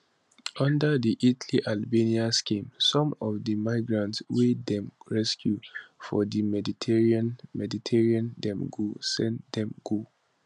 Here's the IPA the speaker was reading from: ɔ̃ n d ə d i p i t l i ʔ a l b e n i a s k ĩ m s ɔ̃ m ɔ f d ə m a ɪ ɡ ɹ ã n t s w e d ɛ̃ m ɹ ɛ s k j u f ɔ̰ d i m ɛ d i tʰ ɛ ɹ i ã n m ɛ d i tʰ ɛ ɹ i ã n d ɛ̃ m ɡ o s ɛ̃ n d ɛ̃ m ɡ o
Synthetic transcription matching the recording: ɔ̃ n d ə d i ʔ i t l i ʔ a l b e n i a s k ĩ m s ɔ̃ m ɔ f d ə m a ɪ ɡ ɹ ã n t s w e d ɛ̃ m ɹ ɛ s k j u f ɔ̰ d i m ɛ d i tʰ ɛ ɹ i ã n m ɛ d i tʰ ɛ ɹ i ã n d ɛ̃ m ɡ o s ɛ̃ n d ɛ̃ m ɡ o